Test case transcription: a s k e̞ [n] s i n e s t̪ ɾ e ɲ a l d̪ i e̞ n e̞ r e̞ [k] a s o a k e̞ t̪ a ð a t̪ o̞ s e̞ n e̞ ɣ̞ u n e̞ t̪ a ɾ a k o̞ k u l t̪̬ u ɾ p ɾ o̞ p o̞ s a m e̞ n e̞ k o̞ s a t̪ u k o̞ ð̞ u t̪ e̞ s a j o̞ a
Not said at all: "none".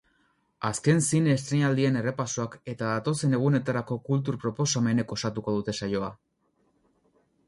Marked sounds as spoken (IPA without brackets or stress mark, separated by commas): n, p